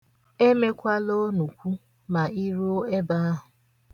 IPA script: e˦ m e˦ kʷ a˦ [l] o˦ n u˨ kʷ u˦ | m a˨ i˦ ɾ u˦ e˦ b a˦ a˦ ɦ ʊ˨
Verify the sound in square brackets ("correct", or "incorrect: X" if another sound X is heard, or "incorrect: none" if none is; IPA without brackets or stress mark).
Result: correct